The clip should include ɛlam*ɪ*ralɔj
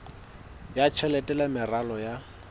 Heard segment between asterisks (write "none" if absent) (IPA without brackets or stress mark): ɪ